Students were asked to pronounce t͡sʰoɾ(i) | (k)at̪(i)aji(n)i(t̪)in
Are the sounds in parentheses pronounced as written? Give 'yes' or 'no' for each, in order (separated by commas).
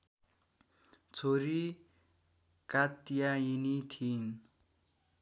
yes, yes, no, yes, no